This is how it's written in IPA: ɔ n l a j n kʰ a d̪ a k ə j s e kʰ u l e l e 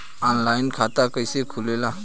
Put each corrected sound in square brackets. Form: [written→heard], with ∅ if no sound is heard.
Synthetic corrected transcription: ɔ n l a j n kʰ a [d̪→t̪] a k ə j s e kʰ u l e l [e→a]